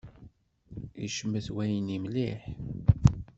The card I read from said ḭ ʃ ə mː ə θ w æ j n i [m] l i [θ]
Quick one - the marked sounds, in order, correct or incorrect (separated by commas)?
correct, incorrect